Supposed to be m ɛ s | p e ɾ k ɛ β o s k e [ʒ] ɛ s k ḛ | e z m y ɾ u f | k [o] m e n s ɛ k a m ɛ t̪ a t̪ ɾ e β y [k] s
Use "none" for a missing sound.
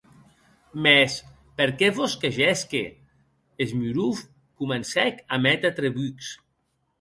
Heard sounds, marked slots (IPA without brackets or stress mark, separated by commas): ʒ, u, k